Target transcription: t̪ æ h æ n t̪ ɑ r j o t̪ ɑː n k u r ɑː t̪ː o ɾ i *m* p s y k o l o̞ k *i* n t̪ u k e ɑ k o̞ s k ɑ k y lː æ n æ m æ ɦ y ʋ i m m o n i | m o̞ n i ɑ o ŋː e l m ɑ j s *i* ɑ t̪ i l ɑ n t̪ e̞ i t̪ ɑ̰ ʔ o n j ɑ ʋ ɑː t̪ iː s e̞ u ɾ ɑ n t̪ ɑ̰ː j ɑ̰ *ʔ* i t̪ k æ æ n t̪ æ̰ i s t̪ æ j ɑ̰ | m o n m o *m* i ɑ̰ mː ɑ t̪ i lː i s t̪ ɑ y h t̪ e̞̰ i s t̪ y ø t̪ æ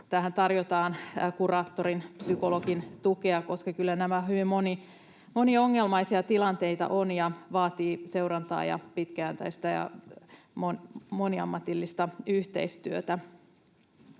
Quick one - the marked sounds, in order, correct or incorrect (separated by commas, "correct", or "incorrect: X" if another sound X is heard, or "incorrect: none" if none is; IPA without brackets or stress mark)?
incorrect: n, correct, correct, incorrect: p, incorrect: n